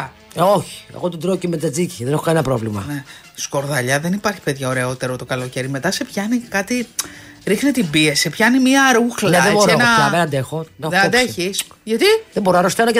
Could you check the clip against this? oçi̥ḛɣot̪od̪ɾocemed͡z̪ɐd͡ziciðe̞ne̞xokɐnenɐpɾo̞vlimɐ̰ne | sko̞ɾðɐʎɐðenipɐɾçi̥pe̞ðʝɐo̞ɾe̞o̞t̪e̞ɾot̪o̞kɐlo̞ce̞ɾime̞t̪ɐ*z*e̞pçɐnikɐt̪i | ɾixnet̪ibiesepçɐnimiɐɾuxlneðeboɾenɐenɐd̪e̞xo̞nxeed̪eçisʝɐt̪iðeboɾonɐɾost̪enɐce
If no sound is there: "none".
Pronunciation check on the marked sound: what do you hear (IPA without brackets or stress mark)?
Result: s